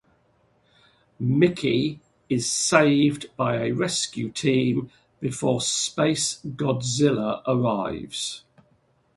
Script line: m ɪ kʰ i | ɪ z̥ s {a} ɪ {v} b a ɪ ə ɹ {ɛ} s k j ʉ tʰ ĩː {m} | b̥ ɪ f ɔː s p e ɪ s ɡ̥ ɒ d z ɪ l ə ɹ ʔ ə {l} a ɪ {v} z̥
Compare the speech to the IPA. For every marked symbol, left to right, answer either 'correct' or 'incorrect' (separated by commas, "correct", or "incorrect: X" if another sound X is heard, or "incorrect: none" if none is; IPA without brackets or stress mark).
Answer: incorrect: e, correct, correct, correct, incorrect: ɹ, correct